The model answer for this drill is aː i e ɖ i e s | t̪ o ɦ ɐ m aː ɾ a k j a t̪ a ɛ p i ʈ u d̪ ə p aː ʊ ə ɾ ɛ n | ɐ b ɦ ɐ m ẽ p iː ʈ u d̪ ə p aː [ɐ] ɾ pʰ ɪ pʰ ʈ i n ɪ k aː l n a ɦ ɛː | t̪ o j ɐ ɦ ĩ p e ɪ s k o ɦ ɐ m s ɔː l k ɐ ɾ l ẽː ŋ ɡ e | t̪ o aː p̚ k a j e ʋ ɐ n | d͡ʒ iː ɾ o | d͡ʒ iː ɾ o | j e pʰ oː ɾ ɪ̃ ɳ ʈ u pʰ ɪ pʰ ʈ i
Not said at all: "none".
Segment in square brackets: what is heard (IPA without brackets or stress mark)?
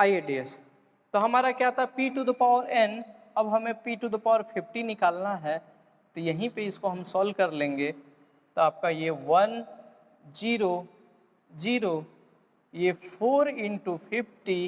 ə